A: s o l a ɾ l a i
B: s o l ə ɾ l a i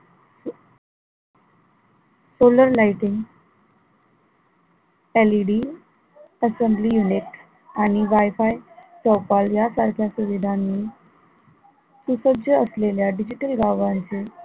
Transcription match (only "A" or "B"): B